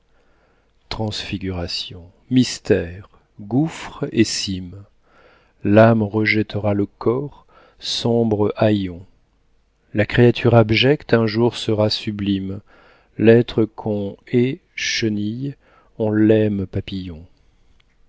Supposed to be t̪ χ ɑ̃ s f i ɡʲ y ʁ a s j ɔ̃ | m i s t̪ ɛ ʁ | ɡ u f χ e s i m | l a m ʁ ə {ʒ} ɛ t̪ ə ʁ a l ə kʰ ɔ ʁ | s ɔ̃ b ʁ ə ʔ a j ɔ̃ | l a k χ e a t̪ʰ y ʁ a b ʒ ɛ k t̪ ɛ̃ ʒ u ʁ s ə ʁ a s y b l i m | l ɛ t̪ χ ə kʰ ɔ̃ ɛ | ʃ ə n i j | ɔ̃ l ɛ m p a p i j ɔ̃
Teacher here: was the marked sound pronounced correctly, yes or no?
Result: yes